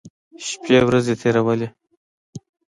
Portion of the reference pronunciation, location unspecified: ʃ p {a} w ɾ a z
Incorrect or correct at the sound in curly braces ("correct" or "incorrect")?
incorrect